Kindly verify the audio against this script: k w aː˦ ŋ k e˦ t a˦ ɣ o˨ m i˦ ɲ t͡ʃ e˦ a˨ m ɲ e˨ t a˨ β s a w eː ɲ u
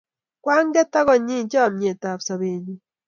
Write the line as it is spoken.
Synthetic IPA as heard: k w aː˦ ŋ ɡ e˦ t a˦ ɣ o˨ ɲ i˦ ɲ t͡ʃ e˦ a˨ m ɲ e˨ t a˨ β s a β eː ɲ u